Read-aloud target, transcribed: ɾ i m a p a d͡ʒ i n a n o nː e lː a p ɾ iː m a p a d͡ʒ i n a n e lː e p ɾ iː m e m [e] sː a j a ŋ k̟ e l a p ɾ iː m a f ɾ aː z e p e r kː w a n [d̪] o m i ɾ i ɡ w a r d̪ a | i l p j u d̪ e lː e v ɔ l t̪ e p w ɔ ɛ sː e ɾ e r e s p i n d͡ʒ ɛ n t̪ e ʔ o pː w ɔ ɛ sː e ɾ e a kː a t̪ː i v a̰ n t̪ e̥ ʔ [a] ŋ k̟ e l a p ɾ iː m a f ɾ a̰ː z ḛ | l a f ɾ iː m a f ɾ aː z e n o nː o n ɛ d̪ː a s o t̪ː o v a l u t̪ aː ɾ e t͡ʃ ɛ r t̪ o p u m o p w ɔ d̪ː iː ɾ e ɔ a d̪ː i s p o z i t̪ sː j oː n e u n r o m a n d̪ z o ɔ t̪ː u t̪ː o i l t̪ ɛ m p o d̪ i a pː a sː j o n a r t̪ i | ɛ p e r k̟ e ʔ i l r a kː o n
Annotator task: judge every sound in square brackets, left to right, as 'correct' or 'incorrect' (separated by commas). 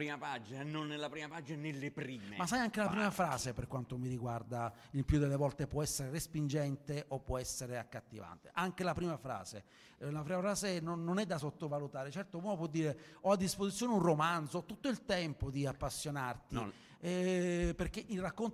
incorrect, incorrect, correct